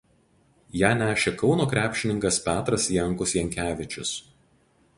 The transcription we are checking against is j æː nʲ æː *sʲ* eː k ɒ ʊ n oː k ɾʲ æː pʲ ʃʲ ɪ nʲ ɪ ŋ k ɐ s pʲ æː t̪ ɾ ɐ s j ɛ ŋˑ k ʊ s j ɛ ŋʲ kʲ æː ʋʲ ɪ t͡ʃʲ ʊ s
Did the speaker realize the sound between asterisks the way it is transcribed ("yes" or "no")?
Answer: no